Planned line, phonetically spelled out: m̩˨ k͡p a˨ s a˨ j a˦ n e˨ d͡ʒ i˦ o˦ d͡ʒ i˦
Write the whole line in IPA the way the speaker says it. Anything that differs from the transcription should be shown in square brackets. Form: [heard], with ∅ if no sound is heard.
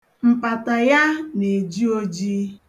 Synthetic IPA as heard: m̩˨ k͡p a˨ [t] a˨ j a˦ n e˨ d͡ʒ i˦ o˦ d͡ʒ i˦